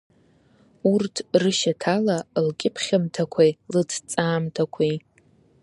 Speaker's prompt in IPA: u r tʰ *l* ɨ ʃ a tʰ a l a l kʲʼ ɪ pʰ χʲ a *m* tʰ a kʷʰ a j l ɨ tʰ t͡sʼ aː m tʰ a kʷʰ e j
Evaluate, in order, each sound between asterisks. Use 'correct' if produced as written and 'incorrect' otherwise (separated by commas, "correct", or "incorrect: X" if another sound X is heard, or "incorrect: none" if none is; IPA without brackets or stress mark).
incorrect: r, correct